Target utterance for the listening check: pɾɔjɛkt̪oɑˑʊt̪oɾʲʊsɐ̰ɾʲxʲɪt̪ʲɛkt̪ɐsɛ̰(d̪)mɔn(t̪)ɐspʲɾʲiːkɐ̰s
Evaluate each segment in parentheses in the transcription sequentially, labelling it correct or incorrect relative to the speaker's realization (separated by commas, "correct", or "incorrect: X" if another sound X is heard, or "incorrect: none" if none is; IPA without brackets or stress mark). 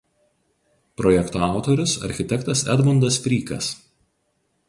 correct, incorrect: d̪